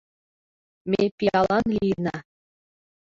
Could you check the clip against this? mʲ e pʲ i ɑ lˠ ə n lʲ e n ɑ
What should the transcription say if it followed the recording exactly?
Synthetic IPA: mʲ e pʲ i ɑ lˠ ɑ n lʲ i n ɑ